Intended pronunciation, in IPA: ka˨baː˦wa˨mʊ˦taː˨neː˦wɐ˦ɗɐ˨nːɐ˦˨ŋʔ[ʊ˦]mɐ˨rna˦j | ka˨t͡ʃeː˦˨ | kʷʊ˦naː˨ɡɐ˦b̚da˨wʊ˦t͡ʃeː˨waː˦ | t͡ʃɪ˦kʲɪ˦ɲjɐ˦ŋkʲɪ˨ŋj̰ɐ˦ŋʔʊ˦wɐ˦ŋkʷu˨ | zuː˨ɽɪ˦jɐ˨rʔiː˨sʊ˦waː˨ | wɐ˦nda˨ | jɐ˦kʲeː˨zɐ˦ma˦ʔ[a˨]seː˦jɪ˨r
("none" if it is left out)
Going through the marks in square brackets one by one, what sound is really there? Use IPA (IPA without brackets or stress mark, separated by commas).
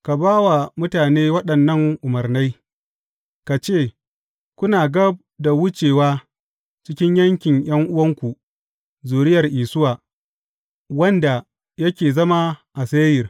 ʊ˨, a˨